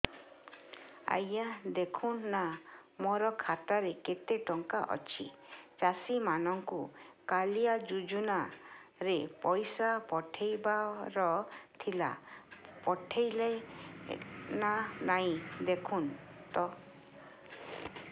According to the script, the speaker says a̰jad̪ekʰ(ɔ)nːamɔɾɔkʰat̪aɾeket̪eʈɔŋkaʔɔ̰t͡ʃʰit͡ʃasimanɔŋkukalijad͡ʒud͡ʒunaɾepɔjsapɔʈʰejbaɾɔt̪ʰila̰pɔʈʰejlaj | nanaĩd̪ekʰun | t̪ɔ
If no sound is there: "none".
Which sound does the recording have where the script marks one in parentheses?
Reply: u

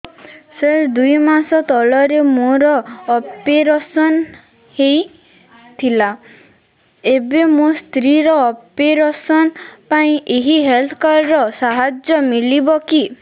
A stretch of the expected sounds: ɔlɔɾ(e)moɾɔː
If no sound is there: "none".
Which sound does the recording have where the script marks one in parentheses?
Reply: e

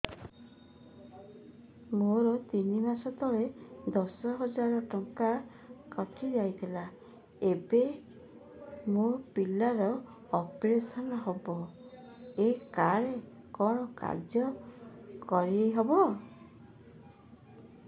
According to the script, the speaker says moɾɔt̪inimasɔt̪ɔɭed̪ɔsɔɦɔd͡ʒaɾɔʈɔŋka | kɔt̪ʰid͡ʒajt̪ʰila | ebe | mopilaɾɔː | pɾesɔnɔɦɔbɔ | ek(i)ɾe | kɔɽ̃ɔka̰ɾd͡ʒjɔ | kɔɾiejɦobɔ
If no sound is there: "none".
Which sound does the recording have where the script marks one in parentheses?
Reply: a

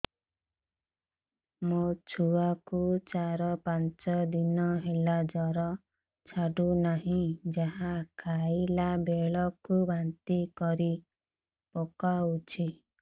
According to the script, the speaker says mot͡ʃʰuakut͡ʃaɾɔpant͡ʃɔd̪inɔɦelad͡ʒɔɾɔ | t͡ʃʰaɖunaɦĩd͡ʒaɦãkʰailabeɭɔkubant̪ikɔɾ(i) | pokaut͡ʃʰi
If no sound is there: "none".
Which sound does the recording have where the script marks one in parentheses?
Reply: i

